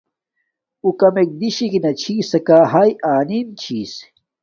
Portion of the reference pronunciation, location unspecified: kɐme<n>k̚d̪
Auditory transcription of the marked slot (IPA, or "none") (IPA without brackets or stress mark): none